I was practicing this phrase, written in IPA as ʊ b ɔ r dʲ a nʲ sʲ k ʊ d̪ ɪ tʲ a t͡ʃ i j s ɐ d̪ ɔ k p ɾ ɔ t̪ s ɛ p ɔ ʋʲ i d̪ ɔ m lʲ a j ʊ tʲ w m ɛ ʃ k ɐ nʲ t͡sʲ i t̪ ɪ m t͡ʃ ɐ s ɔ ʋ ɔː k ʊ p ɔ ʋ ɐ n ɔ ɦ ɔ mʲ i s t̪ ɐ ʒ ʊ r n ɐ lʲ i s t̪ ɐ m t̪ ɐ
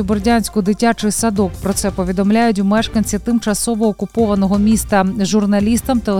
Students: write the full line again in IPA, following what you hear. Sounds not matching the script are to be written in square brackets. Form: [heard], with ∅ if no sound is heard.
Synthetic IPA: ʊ b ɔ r dʲ a nʲ sʲ k ʊ d̪ ɪ tʲ a t͡ʃ [ɪ] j s ɐ d̪ ɔ k p ɾ ɔ t̪ s ɛ p ɔ ʋʲ i d̪ ɔ m lʲ a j ʊ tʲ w m ɛ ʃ k ɐ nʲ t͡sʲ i t̪ ɪ m t͡ʃ ɐ s ɔ ʋ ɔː k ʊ p ɔ ʋ ɐ n ɔ ɦ ɔ mʲ i s t̪ ɐ ʒ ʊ r n ɐ lʲ i s t̪ ɐ m t̪ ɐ